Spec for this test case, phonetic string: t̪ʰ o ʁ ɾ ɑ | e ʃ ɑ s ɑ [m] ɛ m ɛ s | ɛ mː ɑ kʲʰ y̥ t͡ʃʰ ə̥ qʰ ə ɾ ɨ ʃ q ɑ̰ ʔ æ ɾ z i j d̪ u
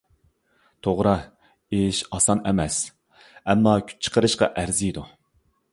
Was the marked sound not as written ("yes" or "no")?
yes